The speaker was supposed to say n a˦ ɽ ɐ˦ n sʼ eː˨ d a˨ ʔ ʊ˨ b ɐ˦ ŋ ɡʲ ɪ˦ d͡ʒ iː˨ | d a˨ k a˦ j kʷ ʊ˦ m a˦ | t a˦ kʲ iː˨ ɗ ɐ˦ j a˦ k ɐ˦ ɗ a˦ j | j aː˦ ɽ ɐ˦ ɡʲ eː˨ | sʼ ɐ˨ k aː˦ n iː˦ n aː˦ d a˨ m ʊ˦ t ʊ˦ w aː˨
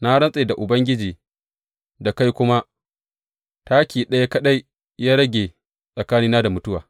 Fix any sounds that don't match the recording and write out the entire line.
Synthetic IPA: n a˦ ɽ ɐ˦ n sʼ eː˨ d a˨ ʔ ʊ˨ b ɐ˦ ŋ ɡʲ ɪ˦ d͡ʒ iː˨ | d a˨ k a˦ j kʷ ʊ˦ m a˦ | t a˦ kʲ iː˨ ɗ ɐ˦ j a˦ k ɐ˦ ɗ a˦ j | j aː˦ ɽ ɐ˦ ɡʲ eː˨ | sʼ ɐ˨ k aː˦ n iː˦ n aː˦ d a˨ m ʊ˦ t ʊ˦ w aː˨

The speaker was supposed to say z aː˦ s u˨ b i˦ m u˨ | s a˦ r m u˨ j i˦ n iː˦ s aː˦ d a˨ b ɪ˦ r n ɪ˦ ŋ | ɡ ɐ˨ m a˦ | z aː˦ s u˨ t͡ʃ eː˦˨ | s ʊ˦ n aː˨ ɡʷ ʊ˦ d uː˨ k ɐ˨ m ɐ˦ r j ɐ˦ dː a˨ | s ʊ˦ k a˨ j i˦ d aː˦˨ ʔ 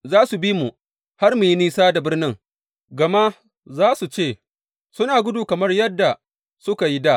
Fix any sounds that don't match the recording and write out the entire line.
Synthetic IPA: z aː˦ s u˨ b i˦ m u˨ | h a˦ r m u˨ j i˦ n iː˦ s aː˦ d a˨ b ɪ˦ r n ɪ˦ ŋ | ɡ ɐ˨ m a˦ | z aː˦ s u˨ t͡ʃ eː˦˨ | s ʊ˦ n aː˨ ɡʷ ʊ˦ d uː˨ k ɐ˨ m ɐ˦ r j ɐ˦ dː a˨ | s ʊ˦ k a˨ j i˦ d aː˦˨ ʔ

